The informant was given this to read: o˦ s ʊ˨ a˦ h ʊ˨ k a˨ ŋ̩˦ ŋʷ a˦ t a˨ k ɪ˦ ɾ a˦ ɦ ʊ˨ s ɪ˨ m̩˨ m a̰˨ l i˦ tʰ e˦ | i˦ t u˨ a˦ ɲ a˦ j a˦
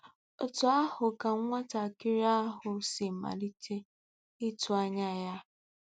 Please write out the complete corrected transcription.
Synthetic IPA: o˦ t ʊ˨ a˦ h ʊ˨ k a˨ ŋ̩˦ ŋʷ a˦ t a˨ k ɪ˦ ɾ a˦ ɦ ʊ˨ s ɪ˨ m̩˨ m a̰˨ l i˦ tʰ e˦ | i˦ t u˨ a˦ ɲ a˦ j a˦